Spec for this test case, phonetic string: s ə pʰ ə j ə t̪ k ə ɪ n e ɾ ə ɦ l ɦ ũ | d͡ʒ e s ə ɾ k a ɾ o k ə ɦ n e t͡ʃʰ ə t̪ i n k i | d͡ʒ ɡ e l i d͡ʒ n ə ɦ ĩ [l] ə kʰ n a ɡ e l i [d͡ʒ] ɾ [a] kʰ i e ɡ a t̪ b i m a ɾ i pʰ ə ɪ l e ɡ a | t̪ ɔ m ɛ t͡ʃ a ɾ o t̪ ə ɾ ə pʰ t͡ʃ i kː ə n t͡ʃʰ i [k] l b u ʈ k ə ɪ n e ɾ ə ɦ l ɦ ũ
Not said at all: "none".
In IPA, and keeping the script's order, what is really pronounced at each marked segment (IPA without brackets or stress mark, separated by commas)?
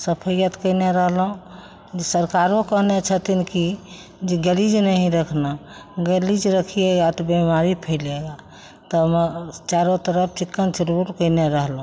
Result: ɾ, d͡ʒ, ə, none